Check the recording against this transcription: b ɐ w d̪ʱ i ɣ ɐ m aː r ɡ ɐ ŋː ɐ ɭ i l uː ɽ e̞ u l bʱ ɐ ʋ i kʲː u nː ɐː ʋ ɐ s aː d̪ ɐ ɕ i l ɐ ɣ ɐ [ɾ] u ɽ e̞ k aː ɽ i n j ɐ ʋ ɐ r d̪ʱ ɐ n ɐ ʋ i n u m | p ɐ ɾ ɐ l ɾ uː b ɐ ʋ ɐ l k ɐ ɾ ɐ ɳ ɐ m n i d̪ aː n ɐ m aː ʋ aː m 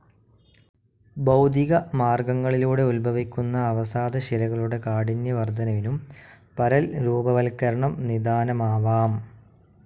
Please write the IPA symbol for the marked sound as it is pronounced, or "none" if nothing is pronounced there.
ɭ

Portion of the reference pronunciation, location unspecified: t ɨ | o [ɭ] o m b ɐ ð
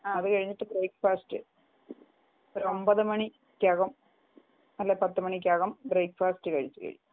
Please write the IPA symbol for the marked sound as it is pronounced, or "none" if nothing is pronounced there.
ɾ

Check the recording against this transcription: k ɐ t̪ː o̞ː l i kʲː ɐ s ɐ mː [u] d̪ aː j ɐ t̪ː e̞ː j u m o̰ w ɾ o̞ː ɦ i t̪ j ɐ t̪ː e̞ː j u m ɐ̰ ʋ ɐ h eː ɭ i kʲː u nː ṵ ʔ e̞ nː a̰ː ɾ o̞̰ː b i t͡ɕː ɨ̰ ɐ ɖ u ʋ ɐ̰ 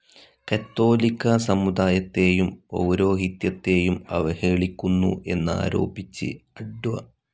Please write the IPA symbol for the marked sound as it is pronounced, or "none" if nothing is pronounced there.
u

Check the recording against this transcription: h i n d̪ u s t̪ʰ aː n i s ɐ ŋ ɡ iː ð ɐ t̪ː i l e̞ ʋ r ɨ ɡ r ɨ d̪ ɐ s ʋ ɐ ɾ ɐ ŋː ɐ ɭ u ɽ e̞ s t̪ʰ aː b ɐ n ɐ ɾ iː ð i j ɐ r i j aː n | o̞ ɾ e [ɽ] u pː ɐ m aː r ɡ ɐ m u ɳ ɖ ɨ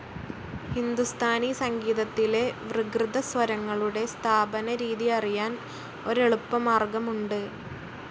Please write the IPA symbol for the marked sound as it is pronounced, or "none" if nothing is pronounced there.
ɭ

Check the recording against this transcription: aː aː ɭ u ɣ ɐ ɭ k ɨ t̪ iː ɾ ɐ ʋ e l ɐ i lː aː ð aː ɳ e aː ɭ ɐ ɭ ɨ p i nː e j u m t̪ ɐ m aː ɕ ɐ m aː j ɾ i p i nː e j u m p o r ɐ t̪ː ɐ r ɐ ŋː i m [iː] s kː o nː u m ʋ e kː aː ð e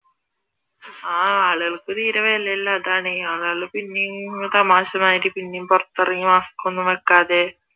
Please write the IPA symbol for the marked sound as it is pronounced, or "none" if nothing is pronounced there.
aː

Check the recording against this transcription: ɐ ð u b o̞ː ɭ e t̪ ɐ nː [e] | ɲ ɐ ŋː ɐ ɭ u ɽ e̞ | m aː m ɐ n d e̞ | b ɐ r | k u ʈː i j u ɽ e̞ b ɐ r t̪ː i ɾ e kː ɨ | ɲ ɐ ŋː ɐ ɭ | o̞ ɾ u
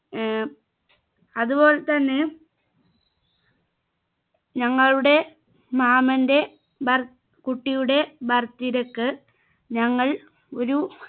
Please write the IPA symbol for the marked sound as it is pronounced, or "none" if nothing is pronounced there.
e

